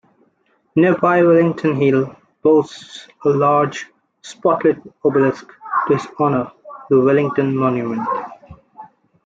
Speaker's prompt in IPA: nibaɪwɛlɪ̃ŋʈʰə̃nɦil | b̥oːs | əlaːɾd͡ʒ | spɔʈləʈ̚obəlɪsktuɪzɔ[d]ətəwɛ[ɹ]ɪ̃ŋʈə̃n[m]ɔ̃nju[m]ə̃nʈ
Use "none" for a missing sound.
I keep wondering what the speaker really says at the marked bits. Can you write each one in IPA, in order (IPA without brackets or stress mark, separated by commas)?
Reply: n, l, m, m